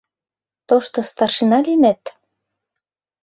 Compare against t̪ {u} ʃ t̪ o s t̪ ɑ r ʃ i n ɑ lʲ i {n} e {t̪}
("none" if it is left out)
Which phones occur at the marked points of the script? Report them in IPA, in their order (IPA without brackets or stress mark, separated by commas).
o, n, t̪